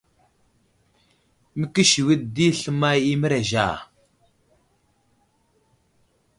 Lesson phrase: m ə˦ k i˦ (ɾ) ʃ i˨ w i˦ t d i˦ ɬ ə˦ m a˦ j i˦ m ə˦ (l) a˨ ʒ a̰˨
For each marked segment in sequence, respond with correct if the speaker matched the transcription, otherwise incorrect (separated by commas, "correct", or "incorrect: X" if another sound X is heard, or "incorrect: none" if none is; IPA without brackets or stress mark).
incorrect: none, incorrect: ɾ